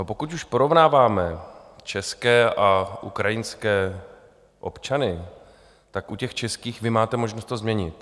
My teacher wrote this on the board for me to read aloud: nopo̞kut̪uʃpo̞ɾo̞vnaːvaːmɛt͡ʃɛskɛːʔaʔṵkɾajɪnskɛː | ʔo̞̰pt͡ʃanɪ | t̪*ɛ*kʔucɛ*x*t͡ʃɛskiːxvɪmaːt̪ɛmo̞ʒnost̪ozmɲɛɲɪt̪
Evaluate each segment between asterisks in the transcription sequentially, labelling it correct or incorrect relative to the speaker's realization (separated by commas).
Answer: incorrect, correct